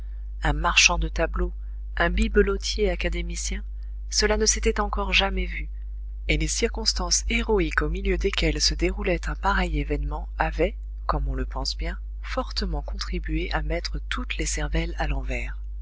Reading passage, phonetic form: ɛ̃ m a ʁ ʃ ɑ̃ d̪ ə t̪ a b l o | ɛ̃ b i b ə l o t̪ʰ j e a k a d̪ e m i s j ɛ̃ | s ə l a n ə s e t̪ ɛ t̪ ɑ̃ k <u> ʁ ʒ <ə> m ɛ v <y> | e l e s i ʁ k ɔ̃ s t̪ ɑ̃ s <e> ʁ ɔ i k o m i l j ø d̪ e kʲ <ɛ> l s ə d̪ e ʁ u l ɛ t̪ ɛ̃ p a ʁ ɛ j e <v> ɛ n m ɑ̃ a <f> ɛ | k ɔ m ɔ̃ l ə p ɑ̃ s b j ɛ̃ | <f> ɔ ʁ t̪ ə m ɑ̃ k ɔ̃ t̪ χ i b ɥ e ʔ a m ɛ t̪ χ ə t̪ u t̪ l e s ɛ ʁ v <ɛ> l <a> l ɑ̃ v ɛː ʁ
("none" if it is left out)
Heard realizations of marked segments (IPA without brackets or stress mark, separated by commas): ɔ, a, y, e, ɛ, v, v, f, ɛ, a